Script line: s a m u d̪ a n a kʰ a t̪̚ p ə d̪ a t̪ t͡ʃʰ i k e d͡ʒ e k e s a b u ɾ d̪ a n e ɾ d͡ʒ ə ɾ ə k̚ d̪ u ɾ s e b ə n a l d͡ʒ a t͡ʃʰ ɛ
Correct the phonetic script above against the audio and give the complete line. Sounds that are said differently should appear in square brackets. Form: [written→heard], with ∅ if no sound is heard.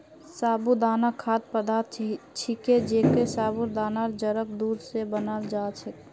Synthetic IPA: s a [m→b] u d̪ a n a kʰ a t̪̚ p ə d̪ a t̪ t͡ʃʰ i k e d͡ʒ e k e s a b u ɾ d̪ a n [e→a] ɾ d͡ʒ ə ɾ ə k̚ d̪ u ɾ s e b ə n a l d͡ʒ a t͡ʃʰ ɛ